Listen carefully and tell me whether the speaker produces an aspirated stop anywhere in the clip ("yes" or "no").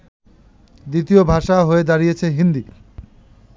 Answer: yes